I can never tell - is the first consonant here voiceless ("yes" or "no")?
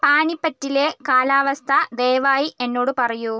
yes